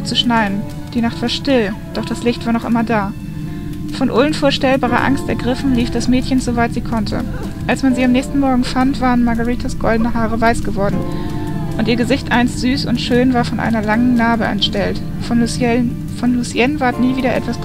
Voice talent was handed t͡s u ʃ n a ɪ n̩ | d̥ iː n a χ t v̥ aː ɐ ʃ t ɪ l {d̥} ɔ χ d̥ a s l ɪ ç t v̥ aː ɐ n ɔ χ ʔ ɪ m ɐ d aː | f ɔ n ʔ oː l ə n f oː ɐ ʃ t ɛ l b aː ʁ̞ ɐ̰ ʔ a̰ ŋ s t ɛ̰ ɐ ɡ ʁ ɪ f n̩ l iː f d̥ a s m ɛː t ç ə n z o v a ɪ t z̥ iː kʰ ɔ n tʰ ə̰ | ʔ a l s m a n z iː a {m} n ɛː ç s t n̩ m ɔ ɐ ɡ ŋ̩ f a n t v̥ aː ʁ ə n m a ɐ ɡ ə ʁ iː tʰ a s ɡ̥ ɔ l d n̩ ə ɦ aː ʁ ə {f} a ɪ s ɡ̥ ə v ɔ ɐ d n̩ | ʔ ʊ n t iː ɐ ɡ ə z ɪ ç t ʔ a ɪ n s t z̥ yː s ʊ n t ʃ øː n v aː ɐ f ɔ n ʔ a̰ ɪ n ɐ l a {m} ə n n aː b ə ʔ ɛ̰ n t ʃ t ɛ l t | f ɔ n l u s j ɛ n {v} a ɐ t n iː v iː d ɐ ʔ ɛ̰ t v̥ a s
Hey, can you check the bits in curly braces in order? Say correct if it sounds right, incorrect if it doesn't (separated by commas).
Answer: correct, correct, incorrect, incorrect, correct